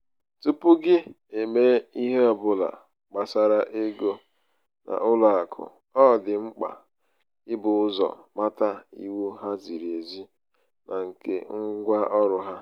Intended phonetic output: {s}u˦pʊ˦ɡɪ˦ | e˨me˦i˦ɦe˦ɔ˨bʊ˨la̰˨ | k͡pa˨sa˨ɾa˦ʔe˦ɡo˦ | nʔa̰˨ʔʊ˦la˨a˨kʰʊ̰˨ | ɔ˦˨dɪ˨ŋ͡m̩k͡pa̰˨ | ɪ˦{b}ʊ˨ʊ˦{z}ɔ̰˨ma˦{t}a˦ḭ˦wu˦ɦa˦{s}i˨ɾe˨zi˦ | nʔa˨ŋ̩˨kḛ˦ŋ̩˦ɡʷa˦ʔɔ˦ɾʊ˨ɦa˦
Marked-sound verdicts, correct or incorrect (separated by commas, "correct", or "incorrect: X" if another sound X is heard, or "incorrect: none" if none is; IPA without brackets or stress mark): incorrect: t, correct, correct, correct, incorrect: z